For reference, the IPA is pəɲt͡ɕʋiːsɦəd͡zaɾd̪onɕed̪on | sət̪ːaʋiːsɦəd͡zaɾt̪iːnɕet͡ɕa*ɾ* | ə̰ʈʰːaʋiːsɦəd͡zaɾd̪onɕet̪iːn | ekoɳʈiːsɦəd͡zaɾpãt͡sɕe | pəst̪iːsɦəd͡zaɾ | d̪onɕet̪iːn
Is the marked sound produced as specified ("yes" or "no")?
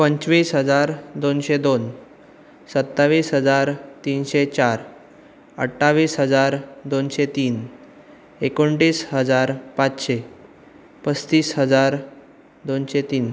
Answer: yes